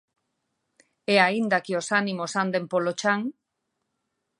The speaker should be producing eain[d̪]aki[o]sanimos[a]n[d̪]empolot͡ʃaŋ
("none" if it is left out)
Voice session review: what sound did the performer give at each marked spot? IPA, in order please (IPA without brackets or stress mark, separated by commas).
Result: d̪, o, a, d̪